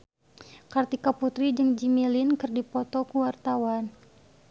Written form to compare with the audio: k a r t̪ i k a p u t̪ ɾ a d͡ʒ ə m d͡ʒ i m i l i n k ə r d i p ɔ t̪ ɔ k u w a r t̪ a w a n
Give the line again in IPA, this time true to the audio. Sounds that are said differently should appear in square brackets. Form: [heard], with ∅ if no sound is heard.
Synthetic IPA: k a r t̪ i k a p u t̪ ɾ [i] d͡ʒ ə [ŋ] d͡ʒ i m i l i n k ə r d i p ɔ t̪ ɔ k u w a r t̪ a w a n